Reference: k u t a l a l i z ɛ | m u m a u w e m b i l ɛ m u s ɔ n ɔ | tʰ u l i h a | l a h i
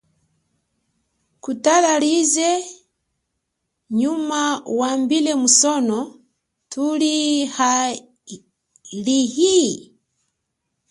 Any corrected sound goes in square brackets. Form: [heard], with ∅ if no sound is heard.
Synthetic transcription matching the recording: k u t a l a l i z ɛ | [ɲ] u m a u w [a] m b i l ɛ m u s ɔ n ɔ | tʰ u l i h a | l [i] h i